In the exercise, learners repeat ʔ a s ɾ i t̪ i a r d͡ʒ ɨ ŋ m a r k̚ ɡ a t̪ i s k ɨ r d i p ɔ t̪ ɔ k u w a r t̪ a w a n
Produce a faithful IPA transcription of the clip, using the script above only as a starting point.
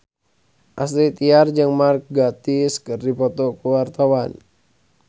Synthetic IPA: ʔ a s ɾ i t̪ i a r d͡ʒ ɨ ŋ m a r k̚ ɡ a t̪ i s k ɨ r d i p ɔ t̪ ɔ k u w a r t̪ a w a n